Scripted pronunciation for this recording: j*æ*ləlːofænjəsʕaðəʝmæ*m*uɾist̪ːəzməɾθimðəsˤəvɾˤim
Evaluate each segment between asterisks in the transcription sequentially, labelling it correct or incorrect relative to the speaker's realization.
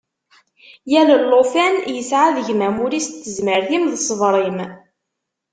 correct, correct

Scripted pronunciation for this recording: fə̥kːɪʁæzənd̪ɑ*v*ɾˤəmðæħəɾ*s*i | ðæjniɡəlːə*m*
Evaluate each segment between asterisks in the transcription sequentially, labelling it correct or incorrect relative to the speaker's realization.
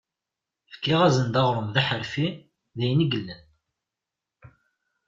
incorrect, incorrect, incorrect

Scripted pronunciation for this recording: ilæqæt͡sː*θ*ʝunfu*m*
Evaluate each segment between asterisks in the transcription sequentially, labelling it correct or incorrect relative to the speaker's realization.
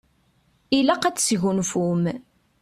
incorrect, correct

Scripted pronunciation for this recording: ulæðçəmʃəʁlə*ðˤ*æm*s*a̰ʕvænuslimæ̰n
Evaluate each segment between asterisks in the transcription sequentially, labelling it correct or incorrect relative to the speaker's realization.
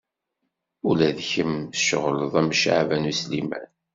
correct, incorrect

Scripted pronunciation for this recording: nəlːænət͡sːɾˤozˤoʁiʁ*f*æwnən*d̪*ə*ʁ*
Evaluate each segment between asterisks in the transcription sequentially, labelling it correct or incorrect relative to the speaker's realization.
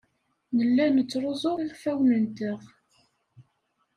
correct, incorrect, correct

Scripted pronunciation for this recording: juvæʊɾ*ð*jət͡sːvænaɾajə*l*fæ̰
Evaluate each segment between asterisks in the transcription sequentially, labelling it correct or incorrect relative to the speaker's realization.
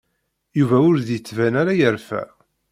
correct, incorrect

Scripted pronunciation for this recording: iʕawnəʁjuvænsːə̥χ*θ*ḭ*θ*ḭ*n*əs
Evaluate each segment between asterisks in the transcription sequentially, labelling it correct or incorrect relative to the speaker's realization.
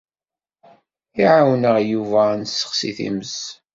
incorrect, correct, incorrect

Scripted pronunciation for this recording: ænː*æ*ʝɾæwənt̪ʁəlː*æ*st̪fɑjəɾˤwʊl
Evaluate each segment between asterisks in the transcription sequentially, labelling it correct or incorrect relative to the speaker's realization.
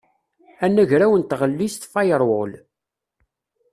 correct, incorrect

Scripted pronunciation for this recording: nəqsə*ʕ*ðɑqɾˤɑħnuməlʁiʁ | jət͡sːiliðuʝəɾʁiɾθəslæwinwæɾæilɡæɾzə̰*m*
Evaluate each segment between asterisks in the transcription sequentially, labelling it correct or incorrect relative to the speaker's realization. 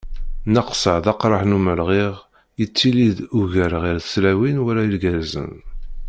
correct, incorrect

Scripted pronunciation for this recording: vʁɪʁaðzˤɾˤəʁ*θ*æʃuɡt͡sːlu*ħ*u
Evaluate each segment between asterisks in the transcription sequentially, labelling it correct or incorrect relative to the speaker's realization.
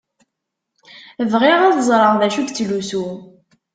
incorrect, incorrect

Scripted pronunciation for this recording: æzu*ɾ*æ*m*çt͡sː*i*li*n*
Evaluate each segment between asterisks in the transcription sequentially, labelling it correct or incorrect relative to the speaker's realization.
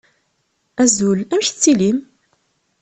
incorrect, correct, correct, incorrect

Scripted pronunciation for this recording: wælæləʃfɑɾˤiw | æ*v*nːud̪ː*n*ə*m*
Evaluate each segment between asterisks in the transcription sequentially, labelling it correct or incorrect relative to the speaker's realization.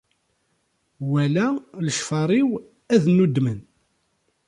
incorrect, incorrect, incorrect

